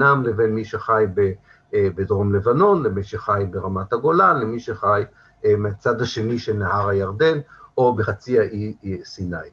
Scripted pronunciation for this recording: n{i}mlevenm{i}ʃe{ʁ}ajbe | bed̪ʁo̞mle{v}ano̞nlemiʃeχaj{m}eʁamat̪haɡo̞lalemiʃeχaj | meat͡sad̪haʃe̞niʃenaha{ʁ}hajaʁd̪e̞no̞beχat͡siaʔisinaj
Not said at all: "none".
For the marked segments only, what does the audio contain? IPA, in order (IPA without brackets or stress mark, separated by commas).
a, i, χ, v, b, ʁ